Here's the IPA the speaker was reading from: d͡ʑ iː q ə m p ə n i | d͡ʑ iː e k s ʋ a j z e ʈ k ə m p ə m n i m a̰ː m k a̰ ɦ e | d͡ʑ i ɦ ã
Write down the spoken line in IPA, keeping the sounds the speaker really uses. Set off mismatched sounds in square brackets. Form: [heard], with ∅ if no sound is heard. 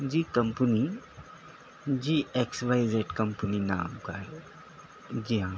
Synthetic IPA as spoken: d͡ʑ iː [k] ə m p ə n i | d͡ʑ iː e k s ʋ a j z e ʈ k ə m p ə [∅] n i [n] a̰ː m k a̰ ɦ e | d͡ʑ i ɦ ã